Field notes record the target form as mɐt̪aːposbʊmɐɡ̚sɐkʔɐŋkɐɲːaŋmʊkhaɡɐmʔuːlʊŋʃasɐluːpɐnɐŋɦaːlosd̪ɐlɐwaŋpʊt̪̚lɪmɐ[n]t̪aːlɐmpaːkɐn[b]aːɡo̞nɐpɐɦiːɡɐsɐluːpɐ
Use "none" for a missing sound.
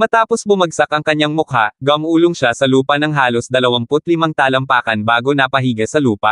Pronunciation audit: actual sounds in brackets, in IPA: ŋ, b

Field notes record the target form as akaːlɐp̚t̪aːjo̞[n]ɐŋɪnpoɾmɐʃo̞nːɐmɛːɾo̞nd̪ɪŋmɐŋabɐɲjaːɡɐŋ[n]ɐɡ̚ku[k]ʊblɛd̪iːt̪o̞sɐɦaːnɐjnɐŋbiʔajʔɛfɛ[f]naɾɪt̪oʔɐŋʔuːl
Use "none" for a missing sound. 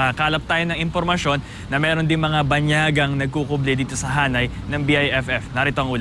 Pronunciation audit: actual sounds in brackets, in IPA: n, n, k, f

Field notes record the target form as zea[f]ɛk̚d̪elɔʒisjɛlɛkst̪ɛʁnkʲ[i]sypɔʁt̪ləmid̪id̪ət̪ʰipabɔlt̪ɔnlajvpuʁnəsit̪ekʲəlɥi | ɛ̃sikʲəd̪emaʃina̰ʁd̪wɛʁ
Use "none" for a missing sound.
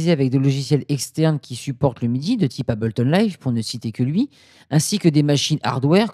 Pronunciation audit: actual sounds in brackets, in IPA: v, i

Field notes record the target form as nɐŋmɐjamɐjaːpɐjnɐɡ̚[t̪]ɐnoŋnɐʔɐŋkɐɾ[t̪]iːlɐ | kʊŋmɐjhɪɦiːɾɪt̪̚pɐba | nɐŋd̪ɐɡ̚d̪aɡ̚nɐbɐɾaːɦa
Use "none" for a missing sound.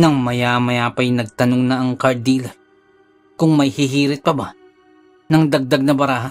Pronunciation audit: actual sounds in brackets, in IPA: t̪, d̪

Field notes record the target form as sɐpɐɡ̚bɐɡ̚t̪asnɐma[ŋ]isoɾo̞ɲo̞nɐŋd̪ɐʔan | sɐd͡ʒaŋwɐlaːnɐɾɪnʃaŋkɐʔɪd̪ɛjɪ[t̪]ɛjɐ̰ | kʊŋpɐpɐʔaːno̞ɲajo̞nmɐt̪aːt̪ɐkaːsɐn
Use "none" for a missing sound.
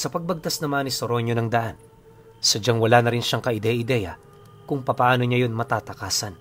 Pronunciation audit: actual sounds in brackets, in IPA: n, d̪

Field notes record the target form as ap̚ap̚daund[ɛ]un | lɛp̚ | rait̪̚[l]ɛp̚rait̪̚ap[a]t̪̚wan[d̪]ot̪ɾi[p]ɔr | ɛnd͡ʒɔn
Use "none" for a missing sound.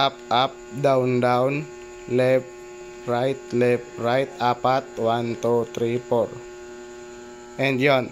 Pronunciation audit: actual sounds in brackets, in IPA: a, l, a, t̪, p

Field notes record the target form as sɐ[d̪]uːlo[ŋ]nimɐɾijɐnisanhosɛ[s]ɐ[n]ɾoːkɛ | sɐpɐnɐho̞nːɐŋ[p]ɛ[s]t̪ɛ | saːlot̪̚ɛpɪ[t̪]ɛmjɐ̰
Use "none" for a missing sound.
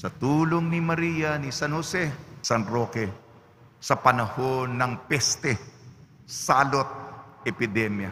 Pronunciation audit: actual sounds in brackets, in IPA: t̪, ŋ, s, n, p, s, d̪

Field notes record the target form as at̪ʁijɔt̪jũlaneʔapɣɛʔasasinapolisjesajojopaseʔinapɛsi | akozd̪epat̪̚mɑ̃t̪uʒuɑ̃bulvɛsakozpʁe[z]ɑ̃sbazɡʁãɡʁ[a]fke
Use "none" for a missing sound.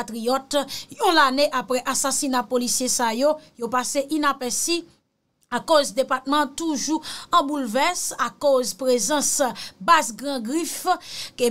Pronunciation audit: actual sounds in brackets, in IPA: z, i

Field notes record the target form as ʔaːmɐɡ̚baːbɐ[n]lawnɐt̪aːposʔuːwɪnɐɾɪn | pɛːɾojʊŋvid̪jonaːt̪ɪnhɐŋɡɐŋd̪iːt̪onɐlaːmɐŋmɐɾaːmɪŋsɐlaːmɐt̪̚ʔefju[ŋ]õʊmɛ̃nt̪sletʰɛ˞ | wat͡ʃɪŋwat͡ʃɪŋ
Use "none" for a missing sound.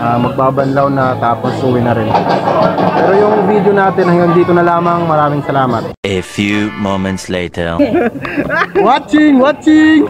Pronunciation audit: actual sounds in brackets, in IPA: n, m

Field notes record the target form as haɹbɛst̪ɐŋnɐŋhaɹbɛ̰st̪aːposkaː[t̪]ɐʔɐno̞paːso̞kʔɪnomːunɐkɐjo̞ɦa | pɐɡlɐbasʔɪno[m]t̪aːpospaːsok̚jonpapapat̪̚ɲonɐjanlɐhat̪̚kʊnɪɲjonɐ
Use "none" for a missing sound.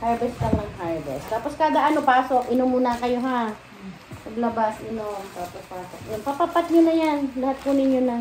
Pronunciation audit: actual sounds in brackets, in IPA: d̪, m

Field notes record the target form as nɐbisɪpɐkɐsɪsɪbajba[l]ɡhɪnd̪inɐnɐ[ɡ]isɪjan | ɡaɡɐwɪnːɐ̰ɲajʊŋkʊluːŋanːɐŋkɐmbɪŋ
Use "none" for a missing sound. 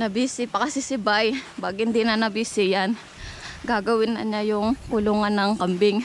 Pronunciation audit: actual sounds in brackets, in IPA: none, b

